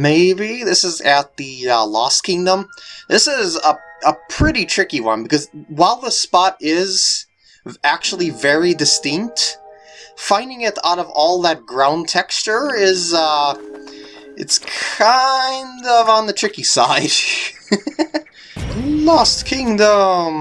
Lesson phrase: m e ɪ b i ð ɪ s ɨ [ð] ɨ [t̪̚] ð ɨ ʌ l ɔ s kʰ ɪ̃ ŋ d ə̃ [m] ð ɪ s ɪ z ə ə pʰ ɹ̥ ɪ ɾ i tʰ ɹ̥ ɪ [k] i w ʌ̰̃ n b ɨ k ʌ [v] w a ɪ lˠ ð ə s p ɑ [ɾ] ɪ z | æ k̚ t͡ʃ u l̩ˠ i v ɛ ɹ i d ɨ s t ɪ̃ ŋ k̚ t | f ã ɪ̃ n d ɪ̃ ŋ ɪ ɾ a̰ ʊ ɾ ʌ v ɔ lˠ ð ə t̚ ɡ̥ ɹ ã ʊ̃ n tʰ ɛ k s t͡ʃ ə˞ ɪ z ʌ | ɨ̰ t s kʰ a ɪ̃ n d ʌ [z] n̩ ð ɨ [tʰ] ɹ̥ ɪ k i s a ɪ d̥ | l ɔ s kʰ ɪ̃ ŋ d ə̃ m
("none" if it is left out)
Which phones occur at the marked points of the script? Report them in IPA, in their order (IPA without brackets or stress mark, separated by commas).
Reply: z, t̪̚, m, k, z, ɾ, v, tʰ